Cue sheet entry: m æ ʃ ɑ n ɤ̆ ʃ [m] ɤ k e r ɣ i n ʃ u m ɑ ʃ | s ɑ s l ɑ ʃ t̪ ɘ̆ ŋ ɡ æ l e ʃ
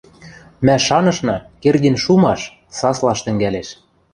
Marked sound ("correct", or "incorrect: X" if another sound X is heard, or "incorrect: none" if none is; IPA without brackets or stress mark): incorrect: n